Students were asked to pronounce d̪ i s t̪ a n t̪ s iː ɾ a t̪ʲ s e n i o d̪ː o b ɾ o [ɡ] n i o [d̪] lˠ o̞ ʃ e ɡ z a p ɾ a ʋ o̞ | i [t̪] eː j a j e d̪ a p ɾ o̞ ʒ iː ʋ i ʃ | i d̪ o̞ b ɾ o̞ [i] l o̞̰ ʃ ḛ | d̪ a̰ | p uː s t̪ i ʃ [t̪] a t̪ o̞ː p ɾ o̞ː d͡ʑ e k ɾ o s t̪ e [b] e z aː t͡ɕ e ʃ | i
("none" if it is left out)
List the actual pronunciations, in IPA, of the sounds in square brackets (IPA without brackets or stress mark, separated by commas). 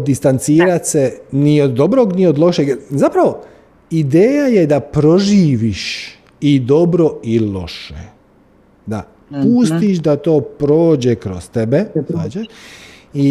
ɡ, d̪, d̪, i, d̪, b